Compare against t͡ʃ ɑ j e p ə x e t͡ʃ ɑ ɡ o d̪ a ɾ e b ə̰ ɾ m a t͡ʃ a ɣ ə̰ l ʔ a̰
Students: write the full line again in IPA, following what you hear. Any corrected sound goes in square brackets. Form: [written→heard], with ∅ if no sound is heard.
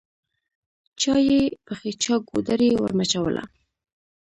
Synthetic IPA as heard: t͡ʃ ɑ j e p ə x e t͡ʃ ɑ ɡ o d̪ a ɾ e [b→w] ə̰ ɾ m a t͡ʃ a [ɣ→w] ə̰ l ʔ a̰

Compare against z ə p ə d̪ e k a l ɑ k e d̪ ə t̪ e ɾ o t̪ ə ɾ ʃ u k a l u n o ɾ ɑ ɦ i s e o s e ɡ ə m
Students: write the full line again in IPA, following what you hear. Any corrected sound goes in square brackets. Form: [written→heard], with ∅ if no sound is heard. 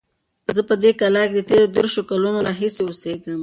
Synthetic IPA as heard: z ə p ə d̪ e k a l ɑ k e d̪ ə t̪ e ɾ o [t̪→d̪] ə ɾ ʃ [u→o] k a l u n o ɾ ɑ ɦ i s e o s e ɡ ə m

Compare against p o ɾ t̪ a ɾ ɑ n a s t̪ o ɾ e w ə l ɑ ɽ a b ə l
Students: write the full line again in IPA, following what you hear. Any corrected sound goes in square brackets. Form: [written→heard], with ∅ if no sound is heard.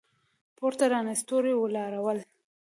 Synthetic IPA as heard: p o ɾ t̪ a ɾ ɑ n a s t̪ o ɾ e w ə l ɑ [ɽ→ɾ] a [b→w] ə l

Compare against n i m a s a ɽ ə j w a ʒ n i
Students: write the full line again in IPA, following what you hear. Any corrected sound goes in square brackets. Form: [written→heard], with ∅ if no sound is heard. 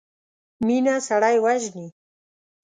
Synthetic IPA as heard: [n→m] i [m→n] a s a ɽ [ə→a] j w a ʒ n i

